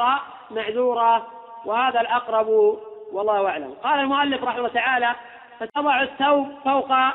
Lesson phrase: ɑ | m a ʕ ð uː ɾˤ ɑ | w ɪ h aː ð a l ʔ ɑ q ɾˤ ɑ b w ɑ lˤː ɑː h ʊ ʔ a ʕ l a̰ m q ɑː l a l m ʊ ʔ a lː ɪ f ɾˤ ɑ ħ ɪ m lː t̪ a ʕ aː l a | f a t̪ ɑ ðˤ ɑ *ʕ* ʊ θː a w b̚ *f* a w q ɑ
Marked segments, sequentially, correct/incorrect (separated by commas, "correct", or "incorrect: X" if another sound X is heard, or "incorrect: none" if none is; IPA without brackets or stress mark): correct, correct